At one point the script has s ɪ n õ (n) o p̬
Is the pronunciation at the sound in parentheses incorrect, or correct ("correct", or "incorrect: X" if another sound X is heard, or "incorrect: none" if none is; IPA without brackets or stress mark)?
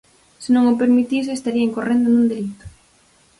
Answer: incorrect: ŋ